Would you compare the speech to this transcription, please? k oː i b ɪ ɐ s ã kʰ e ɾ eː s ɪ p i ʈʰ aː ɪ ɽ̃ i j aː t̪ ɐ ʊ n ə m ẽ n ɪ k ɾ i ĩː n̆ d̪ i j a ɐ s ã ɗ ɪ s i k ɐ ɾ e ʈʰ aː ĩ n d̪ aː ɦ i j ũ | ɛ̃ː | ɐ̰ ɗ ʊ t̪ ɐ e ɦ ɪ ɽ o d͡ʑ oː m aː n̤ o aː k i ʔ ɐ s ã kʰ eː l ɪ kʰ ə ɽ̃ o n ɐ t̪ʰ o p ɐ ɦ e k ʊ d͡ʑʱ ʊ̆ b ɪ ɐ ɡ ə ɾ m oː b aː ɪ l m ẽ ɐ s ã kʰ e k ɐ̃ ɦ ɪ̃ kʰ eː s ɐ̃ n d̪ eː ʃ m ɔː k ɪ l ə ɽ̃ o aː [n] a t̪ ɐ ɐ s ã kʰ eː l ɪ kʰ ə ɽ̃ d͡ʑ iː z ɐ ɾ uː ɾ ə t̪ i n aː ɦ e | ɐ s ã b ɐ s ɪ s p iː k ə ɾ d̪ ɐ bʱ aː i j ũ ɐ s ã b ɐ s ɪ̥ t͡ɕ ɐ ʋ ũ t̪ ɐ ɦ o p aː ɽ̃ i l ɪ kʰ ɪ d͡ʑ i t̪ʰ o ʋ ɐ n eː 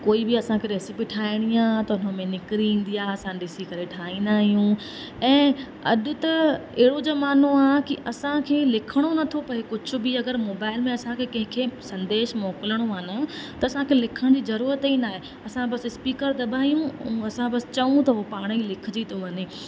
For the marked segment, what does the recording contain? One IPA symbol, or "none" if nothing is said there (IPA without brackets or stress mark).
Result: n